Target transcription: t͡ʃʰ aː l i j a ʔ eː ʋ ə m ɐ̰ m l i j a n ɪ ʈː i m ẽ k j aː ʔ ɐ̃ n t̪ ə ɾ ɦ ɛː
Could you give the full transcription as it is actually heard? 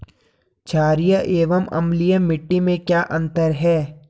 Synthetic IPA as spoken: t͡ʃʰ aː ɾ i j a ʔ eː ʋ ə m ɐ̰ m l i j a m ɪ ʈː i m ẽ k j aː ʔ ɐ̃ n t̪ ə ɾ ɦ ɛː